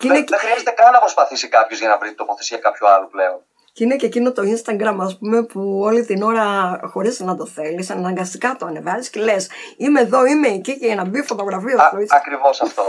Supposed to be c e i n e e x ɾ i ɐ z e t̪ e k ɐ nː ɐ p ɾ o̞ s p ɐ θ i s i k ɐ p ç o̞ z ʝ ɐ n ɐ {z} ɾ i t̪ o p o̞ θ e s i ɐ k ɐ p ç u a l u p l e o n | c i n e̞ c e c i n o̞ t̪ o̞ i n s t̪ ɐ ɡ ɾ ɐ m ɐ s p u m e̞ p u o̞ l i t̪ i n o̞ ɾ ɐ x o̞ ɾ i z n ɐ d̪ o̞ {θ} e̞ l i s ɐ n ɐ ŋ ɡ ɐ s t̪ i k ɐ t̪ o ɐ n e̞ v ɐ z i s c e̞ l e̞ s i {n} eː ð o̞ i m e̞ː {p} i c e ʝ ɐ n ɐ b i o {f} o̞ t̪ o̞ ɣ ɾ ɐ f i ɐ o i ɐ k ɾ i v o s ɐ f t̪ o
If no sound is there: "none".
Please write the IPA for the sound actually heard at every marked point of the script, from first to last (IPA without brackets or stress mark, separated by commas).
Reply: v, θ, m, c, f